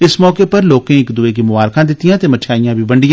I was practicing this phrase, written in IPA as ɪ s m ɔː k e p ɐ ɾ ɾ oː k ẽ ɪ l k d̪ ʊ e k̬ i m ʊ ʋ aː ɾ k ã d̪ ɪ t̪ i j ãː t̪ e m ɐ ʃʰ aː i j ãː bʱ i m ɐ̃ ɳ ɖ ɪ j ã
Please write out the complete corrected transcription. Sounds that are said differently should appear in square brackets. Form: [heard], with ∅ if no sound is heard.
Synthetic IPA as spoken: ɪ s m ɔː k e p ɐ ɾ [l] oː k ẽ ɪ [∅] k d̪ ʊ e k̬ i m ʊ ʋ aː ɾ k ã d̪ ɪ t̪ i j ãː t̪ e m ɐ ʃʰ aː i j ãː bʱ i [b] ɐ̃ ɳ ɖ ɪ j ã